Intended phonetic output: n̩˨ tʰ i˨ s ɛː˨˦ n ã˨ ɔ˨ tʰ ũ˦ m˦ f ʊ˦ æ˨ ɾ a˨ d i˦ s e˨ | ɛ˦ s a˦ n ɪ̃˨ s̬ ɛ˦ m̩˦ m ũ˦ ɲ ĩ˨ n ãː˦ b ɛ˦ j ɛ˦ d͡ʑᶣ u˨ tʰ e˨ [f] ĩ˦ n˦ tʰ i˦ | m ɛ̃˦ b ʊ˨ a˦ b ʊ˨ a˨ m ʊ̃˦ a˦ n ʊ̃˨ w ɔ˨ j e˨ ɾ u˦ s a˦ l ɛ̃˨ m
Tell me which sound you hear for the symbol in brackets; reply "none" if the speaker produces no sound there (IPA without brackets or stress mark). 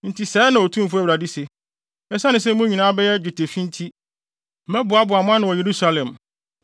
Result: f